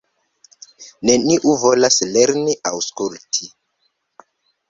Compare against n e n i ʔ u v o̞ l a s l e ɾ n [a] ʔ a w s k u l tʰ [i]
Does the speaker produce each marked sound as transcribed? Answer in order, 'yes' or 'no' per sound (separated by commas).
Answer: no, yes